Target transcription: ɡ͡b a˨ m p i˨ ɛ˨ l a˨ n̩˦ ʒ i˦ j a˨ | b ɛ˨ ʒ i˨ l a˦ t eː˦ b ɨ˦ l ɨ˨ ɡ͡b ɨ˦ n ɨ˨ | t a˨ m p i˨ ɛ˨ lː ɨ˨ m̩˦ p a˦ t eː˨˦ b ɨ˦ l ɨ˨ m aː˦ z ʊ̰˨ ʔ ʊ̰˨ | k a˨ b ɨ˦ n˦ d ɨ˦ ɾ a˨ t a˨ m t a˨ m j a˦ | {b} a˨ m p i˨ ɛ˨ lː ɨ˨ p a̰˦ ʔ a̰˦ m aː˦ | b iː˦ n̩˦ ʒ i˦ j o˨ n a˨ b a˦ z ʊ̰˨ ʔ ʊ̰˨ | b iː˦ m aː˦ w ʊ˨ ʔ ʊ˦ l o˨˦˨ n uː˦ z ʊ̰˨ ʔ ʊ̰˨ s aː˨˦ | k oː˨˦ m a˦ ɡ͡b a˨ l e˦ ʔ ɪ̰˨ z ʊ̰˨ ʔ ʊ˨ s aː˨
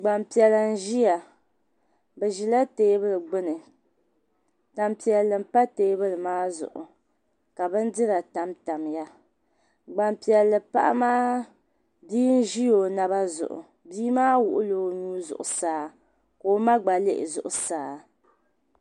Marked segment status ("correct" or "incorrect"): incorrect